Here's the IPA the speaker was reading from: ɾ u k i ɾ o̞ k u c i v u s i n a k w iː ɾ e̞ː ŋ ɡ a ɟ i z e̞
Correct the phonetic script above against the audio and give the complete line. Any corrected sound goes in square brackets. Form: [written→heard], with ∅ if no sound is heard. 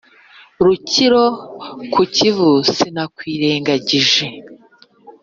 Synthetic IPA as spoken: ɾ u [k→c] i ɾ o̞ k u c i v u s i n a k w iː ɾ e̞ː ŋ ɡ a ɟ i [z→ʒ] e̞